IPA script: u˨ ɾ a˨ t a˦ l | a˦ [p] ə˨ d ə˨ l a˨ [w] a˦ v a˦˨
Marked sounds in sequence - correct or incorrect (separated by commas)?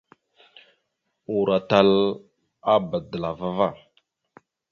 incorrect, incorrect